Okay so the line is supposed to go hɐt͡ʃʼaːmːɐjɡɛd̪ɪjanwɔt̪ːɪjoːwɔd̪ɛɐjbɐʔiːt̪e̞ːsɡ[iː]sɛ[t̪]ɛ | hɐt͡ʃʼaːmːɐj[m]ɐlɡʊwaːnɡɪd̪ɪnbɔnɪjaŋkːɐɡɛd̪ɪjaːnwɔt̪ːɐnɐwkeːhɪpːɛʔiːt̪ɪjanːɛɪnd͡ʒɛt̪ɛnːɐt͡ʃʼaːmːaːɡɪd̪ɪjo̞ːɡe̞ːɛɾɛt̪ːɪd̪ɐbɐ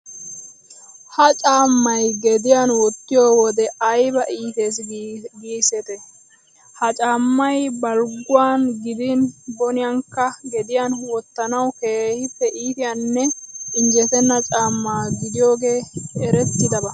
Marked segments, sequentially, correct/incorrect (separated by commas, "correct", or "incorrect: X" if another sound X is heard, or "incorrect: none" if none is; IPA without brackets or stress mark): correct, correct, incorrect: b